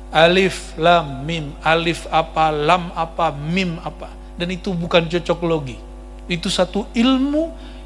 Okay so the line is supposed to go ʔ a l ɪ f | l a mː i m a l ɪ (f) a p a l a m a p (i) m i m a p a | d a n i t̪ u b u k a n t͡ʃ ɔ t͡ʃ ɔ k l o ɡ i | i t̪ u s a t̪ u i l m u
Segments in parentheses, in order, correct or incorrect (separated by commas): correct, incorrect